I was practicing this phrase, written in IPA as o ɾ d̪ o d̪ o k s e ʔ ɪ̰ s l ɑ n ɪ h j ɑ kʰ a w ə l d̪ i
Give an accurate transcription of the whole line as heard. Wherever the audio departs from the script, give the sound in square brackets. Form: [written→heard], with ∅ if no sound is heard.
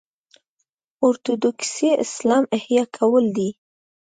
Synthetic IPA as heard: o ɾ [d̪→t̪] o d̪ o k s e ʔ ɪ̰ s l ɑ [n→m] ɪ h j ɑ kʰ a w ə l d̪ i